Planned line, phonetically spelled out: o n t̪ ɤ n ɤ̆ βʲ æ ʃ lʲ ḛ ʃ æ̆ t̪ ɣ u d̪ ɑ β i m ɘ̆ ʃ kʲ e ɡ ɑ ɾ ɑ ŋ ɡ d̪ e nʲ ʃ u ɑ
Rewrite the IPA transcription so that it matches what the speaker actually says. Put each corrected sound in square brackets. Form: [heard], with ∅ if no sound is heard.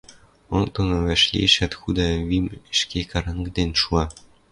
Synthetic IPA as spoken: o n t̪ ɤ n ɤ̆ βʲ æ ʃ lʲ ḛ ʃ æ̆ t̪ [x] u d̪ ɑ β i m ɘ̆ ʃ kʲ e [k] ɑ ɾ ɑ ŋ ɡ d̪ e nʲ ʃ u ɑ